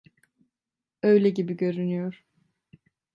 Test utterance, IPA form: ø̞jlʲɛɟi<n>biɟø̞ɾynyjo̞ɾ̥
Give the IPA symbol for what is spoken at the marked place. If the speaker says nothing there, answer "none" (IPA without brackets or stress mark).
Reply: none